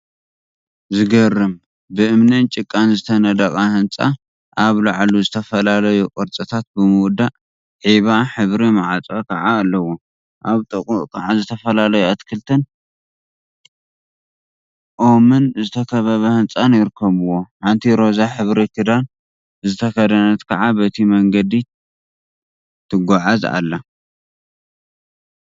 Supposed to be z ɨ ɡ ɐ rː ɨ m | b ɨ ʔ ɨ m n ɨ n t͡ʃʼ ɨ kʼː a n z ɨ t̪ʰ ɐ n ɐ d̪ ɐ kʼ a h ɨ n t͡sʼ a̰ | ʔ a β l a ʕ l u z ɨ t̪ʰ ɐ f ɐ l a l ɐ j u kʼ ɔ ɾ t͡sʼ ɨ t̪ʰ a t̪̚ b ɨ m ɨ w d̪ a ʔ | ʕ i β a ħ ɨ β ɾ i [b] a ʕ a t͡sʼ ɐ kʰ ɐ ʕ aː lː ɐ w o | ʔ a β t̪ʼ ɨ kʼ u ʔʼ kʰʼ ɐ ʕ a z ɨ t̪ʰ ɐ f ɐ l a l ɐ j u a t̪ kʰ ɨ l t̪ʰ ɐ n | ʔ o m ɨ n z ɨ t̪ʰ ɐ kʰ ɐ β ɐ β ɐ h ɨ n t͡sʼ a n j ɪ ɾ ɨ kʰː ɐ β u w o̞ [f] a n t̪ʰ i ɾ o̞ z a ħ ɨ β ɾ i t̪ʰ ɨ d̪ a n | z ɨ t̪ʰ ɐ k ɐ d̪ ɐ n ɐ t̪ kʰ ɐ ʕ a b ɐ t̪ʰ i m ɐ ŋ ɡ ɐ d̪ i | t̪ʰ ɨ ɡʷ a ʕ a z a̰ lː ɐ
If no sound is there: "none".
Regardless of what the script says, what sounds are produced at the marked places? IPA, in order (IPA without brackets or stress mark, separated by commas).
m, ħ